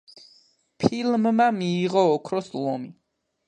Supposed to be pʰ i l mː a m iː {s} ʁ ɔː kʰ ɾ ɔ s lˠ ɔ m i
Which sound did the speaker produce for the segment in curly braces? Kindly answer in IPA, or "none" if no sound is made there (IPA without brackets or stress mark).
none